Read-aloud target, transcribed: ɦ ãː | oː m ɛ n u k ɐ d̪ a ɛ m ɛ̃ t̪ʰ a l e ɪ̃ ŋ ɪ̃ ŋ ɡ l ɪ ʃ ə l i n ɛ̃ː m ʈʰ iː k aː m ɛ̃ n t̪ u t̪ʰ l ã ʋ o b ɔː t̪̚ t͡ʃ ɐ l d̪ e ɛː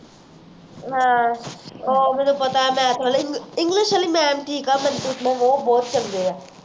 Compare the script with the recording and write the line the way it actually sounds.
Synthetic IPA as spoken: ɦ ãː | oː m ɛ n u p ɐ t̪ a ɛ m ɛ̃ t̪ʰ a l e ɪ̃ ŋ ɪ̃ ŋ ɡ l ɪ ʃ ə l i m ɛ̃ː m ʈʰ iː k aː m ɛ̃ n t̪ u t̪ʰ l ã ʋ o b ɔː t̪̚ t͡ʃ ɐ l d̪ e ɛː

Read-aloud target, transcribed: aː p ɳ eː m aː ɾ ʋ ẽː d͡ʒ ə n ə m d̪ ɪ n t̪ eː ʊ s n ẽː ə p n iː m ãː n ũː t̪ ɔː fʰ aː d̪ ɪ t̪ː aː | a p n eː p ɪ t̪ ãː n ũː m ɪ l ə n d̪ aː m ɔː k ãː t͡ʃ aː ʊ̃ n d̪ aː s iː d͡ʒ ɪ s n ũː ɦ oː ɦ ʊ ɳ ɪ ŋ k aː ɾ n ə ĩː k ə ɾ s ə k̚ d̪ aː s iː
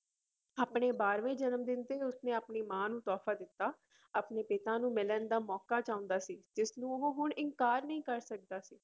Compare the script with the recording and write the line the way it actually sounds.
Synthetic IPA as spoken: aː p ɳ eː b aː ɾ ʋ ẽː d͡ʒ ə n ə m d̪ ɪ n t̪ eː ʊ s n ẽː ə p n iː m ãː n ũː t̪ ɔː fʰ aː d̪ ɪ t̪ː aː | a p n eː p ɪ t̪ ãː n ũː m ɪ l ə n d̪ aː m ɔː k aː t͡ʃ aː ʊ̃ n d̪ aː s iː d͡ʒ ɪ s n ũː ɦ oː ɦ ʊ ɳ ɪ ŋ k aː ɾ n ə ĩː k ə ɾ s ə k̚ d̪ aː s iː

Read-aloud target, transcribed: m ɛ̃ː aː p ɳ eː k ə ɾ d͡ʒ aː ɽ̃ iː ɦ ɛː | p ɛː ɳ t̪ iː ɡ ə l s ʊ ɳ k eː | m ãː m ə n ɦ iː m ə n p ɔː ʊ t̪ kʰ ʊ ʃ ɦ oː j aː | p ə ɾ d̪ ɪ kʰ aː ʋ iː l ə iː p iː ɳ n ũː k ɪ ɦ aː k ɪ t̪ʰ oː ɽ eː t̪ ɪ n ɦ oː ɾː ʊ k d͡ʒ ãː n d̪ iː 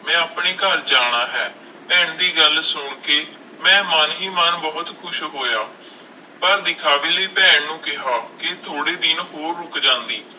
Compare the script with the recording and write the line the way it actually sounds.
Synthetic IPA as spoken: m ɛ̃ː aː p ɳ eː k ə ɾ d͡ʒ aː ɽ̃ aː ɦ ɛː | p ɛː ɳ d̪ iː ɡ ə l s ʊ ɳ k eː | m ɛ̃ː m ə n ɦ iː m ə n b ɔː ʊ t̪ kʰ ʊ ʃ ɦ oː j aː | p ə ɾ d̪ ɪ kʰ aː ʋ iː l ə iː p ɛː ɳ n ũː k ɪ ɦ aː k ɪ t̪ʰ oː ɽ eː d̪ ɪ n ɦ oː ɾː ʊ k d͡ʒ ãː n d̪ iː

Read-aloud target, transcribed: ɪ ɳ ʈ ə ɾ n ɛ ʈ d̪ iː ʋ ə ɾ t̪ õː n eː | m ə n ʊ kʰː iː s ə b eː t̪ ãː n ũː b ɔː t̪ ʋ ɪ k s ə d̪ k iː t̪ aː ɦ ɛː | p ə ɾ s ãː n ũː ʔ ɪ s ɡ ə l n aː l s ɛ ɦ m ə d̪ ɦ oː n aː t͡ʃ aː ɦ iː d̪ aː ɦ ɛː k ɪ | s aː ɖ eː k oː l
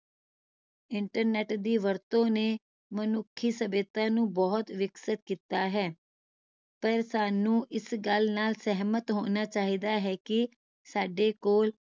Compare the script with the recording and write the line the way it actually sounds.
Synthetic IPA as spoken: ɪ ɳ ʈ ə ɾ n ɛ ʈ d̪ iː ʋ ə ɾ t̪ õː n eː | m ə n ʊ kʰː iː s ə b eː t̪ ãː n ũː b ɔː t̪ ʋ ɪ k s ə t̪ k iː t̪ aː ɦ ɛː | p ə ɾ s aː n ũː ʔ ɪ s ɡ ə l n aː l s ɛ ɦ m ə t̪ ɦ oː n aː t͡ʃ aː ɦ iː d̪ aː ɦ ɛː k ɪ | s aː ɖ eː k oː l

